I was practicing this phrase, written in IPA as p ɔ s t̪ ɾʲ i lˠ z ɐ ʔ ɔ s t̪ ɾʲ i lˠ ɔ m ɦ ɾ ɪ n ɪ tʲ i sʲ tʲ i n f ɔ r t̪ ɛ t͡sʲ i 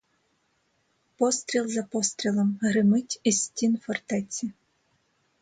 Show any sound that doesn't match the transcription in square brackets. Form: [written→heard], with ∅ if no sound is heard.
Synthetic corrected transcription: p ɔ s t̪ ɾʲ i lˠ z ɐ [ʔ→p] ɔ s t̪ ɾʲ i lˠ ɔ m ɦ ɾ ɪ [n→m] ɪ tʲ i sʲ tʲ i n f ɔ r t̪ ɛ t͡sʲ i